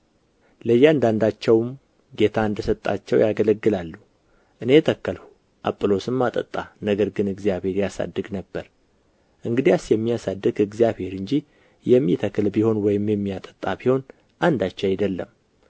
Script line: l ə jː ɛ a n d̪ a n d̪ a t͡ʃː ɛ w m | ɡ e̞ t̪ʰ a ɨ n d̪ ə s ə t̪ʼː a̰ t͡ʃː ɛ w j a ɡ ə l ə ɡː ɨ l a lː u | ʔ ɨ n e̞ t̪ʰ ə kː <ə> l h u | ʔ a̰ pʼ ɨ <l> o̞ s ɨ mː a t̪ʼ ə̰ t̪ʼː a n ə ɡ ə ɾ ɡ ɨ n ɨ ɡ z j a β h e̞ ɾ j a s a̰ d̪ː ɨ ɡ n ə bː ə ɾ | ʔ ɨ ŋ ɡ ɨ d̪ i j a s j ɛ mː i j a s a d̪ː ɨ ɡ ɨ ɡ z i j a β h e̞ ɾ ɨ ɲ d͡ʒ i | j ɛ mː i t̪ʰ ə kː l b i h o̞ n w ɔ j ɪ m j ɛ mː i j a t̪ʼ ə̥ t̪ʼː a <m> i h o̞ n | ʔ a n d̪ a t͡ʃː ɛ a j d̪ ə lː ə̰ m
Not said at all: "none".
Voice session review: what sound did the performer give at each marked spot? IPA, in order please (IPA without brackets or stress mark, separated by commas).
ə, l, b